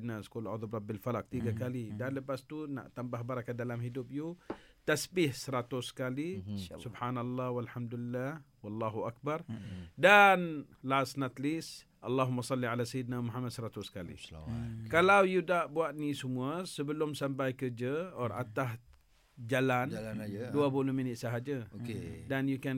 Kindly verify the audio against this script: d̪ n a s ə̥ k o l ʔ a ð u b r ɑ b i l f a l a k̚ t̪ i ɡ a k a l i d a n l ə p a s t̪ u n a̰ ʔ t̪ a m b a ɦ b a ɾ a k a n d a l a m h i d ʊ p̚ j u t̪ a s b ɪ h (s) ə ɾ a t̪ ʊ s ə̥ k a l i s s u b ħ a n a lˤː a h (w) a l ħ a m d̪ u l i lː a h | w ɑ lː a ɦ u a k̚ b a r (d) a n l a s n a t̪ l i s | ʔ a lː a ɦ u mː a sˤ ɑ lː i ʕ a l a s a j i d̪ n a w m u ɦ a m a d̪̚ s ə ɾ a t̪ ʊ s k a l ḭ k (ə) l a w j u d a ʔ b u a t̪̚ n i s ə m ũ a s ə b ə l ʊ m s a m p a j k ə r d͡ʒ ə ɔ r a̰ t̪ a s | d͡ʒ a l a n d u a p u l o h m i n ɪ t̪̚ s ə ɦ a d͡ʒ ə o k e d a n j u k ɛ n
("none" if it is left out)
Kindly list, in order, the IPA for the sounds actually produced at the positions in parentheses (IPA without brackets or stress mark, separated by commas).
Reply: s, w, d, a